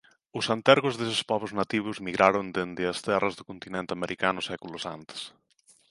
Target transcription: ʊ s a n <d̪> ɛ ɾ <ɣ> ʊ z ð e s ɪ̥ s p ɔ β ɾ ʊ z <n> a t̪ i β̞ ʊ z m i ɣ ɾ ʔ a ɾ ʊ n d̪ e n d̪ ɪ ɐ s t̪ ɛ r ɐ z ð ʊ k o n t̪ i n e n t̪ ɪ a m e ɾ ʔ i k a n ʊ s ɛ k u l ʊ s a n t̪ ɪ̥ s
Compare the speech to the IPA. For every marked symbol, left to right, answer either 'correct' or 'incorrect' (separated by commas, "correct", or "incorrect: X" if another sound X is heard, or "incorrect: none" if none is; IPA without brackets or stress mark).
incorrect: t̪, correct, correct